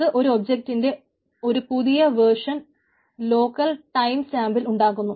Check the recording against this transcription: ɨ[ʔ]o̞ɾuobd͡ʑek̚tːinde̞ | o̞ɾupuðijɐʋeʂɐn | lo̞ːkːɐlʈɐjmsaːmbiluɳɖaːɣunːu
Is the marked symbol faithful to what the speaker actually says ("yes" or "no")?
yes